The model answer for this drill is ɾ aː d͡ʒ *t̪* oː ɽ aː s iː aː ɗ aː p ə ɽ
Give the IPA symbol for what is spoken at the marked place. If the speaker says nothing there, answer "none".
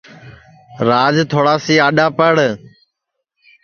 t̪ʰ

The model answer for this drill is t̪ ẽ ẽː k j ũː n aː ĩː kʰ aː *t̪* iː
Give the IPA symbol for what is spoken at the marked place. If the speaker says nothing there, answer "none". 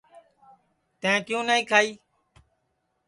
none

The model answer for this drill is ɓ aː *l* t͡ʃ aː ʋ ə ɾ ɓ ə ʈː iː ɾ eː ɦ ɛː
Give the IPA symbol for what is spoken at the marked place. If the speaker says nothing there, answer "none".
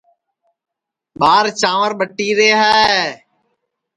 ɾ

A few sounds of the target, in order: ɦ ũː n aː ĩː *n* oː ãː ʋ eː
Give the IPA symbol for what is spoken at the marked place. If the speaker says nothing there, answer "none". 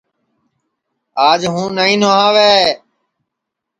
n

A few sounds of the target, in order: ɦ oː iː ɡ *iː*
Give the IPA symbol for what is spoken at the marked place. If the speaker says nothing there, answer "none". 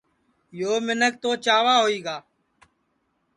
aː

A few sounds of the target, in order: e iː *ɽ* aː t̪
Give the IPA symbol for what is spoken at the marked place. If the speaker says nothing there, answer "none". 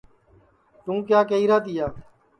ɾ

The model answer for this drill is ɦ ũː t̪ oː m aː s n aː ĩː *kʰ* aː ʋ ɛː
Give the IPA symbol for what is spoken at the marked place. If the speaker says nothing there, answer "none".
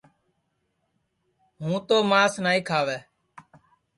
kʰ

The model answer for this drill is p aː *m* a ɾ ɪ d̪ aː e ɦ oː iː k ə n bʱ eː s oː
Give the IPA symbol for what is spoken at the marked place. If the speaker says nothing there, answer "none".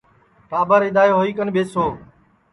b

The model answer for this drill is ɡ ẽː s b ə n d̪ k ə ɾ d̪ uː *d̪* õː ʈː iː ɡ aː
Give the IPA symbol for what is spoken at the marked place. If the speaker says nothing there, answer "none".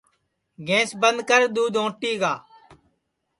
d̪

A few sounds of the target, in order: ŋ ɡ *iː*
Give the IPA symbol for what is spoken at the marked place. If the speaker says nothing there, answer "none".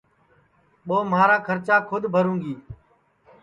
iː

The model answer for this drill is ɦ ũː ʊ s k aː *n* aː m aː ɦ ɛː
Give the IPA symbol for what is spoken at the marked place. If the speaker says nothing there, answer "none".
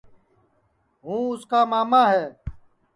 m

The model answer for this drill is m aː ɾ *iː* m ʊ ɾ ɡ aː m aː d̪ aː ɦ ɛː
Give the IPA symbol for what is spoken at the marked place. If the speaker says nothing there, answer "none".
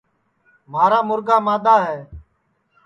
aː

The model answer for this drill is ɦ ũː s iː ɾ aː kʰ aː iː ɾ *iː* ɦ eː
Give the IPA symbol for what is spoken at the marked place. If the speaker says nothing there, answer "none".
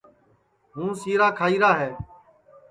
aː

